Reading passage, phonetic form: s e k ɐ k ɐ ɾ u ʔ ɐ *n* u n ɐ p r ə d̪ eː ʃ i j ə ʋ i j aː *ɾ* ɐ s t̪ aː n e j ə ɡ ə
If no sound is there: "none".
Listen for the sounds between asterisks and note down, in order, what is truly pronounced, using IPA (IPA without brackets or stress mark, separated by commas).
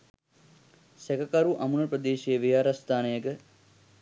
m, ɾ